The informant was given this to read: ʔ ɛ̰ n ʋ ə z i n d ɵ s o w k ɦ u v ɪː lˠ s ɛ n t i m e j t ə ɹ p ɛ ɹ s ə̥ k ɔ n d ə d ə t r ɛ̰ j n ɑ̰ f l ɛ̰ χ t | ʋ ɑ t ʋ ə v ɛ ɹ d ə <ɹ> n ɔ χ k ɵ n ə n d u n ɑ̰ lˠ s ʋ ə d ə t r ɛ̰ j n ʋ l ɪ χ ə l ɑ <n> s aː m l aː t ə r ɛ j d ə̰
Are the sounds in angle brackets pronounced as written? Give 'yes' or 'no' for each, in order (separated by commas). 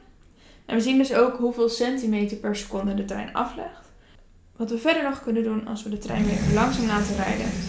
yes, no